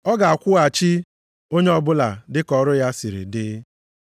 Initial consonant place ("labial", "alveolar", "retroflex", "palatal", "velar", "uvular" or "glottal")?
velar